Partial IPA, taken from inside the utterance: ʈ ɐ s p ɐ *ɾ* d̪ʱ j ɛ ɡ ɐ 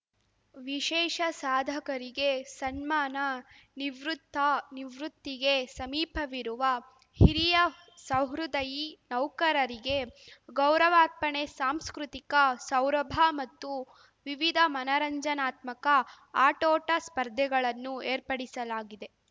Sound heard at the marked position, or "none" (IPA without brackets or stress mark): ɾ